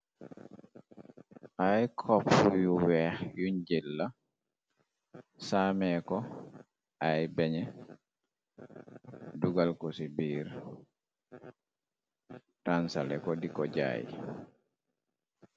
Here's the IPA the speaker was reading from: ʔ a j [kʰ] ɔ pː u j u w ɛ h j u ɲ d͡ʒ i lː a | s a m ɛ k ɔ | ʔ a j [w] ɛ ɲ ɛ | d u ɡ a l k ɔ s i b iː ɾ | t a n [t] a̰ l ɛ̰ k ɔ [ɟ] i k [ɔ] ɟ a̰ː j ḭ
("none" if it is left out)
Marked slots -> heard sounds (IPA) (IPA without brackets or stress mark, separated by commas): kʰ, b, s, d, ɔ